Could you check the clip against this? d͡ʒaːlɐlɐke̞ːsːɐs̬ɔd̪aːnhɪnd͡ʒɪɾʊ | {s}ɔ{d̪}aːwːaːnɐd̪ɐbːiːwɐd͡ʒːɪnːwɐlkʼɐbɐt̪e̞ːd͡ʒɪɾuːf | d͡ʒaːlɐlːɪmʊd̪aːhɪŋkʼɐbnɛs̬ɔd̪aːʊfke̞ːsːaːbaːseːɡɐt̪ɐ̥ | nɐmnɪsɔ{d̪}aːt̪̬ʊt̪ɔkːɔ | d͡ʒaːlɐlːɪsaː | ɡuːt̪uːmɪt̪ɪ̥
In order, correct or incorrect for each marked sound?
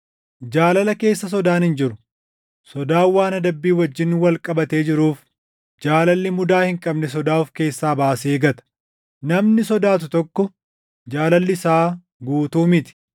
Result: correct, correct, correct

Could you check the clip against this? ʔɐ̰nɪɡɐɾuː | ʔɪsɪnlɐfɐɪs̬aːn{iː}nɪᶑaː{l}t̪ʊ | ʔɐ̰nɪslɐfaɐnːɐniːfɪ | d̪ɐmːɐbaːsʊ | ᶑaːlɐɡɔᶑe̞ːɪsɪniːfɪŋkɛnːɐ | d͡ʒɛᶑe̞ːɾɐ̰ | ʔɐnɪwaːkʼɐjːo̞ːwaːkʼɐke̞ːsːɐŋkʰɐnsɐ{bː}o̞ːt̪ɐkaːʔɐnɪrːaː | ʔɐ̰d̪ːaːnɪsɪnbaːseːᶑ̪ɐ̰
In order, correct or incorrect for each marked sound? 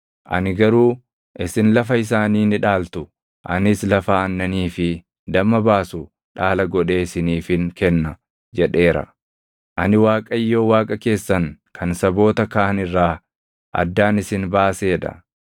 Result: correct, correct, incorrect

